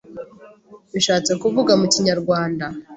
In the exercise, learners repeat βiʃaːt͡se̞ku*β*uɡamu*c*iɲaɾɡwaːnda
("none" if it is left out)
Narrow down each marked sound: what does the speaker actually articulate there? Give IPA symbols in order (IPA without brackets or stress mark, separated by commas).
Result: v, c